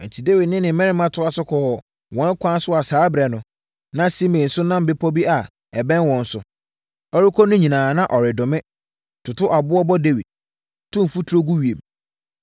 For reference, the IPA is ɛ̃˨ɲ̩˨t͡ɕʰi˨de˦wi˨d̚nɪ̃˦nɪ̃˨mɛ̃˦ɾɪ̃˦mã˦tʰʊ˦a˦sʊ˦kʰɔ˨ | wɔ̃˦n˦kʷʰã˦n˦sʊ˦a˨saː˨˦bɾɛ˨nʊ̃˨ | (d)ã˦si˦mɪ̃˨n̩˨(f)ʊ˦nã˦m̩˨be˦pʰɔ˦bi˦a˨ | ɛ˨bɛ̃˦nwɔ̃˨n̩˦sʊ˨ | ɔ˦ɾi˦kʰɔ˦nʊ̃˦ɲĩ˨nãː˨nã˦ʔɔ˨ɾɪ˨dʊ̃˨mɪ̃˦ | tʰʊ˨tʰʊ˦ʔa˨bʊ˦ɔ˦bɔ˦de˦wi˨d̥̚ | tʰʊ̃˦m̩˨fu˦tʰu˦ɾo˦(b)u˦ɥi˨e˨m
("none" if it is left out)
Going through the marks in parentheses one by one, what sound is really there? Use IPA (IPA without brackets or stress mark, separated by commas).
n, s, ɡ